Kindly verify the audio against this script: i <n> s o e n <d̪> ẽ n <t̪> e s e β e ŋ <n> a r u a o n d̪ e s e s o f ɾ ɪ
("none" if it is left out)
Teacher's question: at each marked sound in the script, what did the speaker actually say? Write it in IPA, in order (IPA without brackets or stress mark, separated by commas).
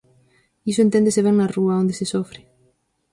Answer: none, t̪, d̪, n